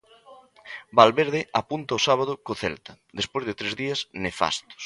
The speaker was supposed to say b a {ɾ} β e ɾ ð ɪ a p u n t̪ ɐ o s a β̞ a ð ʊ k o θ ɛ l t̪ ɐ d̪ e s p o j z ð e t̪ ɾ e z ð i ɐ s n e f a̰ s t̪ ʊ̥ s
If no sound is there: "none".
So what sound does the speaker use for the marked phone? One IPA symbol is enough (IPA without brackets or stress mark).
l